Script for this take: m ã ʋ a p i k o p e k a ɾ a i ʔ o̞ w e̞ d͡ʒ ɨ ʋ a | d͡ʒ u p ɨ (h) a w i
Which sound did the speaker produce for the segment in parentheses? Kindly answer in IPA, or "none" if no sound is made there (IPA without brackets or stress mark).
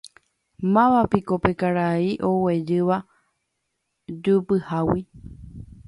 h